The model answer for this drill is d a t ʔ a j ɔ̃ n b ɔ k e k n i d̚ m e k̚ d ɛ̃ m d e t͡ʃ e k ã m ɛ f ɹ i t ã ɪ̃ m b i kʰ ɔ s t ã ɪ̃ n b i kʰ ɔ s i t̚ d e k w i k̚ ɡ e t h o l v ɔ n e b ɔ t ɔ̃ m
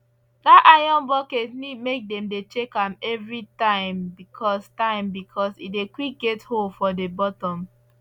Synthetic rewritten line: d a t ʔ a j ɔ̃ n b ɔ k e t n i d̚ m e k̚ d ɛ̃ m d e t͡ʃ e k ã m ɛ v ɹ i t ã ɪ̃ m b i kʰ ɔ s t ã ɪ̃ m b i kʰ ɔ s i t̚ d e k w i k̚ ɡ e t h o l f ɔ d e b ɔ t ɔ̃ m